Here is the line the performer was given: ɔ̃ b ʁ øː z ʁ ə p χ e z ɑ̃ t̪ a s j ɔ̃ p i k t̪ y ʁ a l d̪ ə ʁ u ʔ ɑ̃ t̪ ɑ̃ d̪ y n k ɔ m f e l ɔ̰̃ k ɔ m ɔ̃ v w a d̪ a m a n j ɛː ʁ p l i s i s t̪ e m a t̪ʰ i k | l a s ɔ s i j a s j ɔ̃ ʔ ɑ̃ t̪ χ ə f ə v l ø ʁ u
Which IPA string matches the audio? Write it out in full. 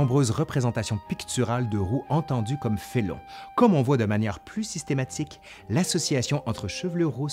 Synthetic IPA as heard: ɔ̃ b ʁ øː z ʁ ə p χ e z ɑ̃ t̪ a s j ɔ̃ p i k t̪ y ʁ a l d̪ ə ʁ u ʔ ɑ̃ t̪ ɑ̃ d̪ y k ɔ m f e l ɔ̰̃ k ɔ m ɔ̃ v w a d̪ ə m a n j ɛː ʁ p l y s i s t̪ e m a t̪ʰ i k | l a s ɔ s i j a s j ɔ̃ ʔ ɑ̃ t̪ χ ə ʃ ə v l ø ʁ u